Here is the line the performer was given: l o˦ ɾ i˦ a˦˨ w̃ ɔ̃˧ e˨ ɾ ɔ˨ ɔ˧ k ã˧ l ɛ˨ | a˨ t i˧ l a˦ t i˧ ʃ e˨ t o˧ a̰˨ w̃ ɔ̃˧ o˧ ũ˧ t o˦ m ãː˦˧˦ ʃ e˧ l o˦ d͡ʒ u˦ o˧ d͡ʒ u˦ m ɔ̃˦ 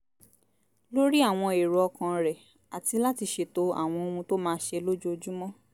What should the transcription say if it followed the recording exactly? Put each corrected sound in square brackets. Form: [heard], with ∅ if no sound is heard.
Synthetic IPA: l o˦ ɾ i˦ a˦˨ w̃ ɔ̃˧ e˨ ɾ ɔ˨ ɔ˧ k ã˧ [ɾ] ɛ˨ | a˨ t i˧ l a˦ t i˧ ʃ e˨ t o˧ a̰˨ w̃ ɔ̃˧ o˧ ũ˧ t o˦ m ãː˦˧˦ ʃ e˧ l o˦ d͡ʒ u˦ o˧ d͡ʒ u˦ m ɔ̃˦